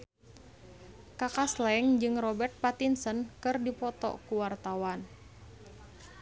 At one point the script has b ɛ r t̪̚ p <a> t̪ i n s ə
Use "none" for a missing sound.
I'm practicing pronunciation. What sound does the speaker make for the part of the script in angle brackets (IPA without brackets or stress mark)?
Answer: a